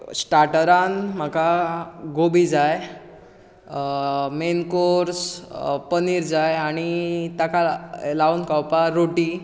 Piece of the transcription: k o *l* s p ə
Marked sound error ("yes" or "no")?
yes